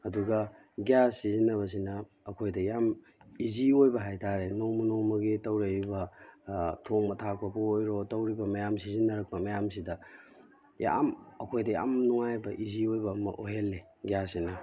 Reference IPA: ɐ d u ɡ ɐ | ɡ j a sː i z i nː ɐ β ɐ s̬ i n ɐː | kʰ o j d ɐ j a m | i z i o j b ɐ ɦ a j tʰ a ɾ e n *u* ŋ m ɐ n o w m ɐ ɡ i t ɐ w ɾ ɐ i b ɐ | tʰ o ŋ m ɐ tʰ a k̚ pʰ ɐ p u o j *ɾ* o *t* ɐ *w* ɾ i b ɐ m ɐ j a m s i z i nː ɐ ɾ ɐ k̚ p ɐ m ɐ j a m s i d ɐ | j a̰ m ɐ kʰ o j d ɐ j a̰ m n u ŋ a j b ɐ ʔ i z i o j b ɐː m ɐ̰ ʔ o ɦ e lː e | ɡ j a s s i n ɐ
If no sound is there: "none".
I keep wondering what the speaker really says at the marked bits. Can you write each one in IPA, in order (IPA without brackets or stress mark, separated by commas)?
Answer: o, ɾ, t, w